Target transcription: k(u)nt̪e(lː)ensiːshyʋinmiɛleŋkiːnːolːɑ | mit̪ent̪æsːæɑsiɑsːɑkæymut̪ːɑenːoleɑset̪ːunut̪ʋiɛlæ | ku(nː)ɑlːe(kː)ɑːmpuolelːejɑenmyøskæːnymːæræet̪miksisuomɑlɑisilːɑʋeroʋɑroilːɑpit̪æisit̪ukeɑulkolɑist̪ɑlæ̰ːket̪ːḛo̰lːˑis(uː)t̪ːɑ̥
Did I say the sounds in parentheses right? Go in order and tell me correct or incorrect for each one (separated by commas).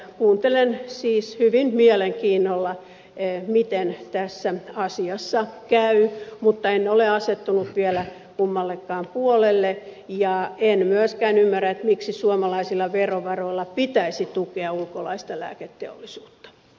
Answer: incorrect, incorrect, incorrect, correct, correct